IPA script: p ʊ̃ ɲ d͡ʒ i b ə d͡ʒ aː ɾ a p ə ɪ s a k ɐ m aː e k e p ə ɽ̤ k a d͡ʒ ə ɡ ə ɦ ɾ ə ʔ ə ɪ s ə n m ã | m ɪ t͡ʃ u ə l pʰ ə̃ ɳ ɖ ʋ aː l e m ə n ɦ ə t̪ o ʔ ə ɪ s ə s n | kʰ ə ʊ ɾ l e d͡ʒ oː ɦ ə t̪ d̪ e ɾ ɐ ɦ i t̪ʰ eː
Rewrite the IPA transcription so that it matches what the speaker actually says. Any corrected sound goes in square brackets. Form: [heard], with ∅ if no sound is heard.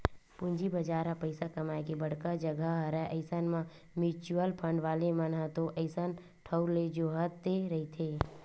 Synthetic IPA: p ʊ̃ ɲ d͡ʒ i b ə d͡ʒ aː ɾ a p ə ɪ s a k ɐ m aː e k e [b] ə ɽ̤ k a d͡ʒ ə ɡ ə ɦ ɾ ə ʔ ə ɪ s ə n m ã | m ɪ t͡ʃ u ə l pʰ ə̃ ɳ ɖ ʋ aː l e m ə n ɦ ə t̪ o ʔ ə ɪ s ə [∅] n | [ʈʰ] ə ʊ ɾ l e d͡ʒ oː ɦ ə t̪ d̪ e ɾ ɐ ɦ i t̪ʰ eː

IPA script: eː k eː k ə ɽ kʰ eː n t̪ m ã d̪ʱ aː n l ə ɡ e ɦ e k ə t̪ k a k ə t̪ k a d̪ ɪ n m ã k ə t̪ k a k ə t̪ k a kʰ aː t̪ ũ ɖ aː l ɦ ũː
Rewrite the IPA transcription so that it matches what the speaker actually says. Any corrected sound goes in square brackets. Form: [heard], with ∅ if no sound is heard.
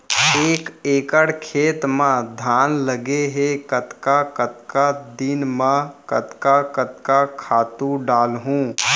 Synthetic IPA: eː k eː k ə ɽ kʰ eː [∅] t̪ m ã d̪ʱ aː n l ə ɡ e ɦ e k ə t̪ k a k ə t̪ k a d̪ ɪ n m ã k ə t̪ k a k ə t̪ k a kʰ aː t̪ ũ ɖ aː l ɦ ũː

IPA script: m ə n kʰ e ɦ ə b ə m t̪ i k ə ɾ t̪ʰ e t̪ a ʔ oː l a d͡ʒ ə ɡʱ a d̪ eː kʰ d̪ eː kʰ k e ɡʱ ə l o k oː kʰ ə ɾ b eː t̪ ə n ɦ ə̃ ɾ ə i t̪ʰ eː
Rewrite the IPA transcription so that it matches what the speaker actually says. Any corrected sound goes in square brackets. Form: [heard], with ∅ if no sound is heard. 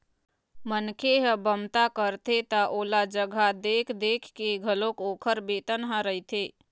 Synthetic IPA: m ə n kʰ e ɦ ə b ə m t̪ [a] k ə ɾ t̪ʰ e t̪ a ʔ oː l a d͡ʒ ə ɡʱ a d̪ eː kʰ d̪ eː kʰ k e ɡʱ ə l o k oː kʰ ə ɾ b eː t̪ ə n ɦ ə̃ ɾ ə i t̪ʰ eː

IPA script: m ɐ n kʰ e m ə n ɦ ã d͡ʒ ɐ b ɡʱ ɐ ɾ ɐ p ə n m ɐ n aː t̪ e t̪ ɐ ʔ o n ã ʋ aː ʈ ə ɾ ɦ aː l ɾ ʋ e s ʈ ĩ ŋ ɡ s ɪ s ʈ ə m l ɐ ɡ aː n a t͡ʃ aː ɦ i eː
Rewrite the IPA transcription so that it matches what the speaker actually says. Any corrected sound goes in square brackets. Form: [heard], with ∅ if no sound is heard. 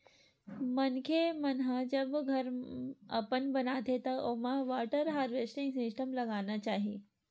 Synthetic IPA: m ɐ n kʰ e m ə n ɦ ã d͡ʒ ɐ b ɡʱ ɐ ɾ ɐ p ə n [b] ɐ n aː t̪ e t̪ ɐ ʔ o [m] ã ʋ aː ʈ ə ɾ ɦ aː [∅] ɾ ʋ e s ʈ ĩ ŋ ɡ s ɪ s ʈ ə m l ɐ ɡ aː n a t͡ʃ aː ɦ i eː

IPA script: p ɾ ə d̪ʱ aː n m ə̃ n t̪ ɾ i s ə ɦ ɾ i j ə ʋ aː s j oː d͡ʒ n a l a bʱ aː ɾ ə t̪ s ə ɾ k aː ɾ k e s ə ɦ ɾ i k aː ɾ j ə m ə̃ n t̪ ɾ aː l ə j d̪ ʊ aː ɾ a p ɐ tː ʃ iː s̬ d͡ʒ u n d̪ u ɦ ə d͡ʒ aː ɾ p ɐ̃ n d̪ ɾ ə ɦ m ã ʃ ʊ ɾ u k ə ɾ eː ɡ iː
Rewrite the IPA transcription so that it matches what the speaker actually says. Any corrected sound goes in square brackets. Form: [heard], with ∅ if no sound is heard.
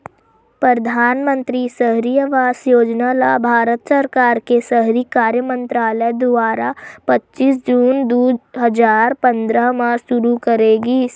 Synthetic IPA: p ɾ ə d̪ʱ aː n m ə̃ n t̪ ɾ i s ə ɦ ɾ i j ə ʋ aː s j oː d͡ʒ n a l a bʱ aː ɾ ə t̪ s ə ɾ k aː ɾ k e s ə ɦ ɾ i k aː ɾ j ə m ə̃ n t̪ ɾ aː l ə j d̪ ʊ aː ɾ a p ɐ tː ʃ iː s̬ d͡ʒ [uː] n d̪ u ɦ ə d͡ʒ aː ɾ p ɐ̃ n d̪ ɾ ə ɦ m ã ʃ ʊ ɾ u k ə ɾ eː ɡ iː

